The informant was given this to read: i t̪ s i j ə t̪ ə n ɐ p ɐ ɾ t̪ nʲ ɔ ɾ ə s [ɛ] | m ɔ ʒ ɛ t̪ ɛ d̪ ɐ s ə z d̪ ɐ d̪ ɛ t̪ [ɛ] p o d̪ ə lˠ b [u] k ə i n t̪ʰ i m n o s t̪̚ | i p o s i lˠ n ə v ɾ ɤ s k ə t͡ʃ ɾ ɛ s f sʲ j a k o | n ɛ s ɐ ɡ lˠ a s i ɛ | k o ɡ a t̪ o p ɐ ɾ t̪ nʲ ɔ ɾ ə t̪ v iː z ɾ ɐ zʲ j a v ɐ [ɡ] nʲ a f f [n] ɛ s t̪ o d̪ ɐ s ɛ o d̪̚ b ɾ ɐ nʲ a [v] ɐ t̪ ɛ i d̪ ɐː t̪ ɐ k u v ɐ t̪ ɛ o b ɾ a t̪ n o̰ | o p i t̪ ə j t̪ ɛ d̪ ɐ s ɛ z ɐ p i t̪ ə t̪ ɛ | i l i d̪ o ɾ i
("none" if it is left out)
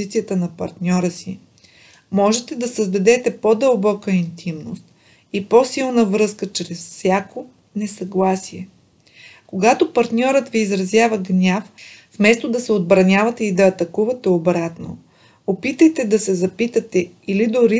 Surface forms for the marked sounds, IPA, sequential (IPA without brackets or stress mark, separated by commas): i, ɛ, ɔ, ɡ, m, v